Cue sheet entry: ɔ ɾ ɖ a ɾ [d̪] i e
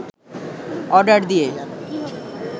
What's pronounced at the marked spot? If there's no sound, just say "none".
d̪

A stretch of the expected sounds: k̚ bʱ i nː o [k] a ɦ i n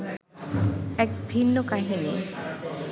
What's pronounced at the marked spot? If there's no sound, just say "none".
k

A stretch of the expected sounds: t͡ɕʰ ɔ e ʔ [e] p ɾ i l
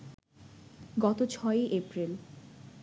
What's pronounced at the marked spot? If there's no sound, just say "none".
e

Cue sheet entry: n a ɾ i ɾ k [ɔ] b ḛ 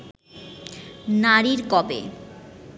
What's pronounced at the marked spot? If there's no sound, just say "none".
ɔ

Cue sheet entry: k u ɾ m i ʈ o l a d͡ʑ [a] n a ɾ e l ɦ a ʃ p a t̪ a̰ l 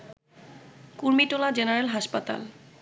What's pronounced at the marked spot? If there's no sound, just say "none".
e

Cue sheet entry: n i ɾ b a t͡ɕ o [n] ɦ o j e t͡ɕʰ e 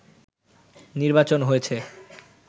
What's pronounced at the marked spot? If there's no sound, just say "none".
n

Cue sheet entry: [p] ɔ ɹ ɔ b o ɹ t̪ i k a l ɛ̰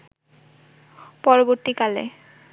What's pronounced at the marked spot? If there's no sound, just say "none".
p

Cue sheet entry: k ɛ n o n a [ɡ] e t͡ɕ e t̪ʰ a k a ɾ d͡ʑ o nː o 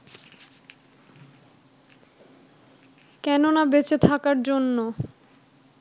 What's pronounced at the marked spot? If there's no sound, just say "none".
b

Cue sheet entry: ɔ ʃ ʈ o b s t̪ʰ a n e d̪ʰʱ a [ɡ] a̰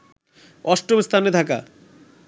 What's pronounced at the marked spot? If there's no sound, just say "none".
k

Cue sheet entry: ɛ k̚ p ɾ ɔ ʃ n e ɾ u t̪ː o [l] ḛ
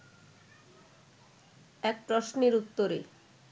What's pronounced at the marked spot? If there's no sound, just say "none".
ɾ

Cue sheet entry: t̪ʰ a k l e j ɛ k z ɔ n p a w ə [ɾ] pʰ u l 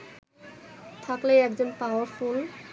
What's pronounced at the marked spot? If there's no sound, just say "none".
ɹ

